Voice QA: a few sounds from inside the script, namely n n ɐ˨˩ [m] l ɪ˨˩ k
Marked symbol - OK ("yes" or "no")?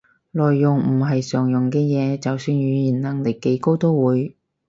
no